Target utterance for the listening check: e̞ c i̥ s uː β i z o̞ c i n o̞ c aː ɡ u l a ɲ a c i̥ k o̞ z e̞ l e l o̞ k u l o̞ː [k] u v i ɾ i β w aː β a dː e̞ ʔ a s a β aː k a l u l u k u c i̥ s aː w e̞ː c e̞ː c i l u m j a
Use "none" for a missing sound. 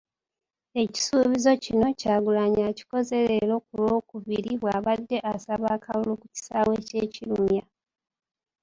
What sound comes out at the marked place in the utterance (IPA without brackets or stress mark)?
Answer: k